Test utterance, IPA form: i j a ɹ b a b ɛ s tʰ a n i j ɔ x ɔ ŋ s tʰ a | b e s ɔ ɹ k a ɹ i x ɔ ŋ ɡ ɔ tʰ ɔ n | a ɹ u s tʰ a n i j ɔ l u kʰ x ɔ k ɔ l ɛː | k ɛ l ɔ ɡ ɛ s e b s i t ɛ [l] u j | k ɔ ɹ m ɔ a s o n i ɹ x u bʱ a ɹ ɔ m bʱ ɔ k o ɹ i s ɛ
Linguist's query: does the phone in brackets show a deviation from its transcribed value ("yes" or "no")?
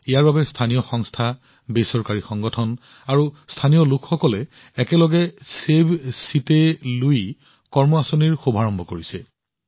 no